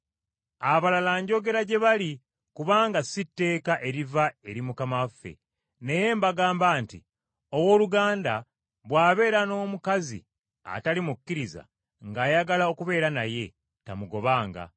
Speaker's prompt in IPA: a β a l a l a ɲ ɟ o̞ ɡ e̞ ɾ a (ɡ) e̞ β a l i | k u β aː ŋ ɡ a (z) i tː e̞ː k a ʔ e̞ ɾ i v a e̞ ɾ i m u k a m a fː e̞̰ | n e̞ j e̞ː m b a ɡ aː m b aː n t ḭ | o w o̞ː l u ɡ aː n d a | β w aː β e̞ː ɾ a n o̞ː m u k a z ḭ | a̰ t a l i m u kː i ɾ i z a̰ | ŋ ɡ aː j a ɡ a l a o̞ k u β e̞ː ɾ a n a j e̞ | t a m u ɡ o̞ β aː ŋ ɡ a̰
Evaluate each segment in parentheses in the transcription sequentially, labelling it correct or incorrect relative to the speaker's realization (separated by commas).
incorrect, incorrect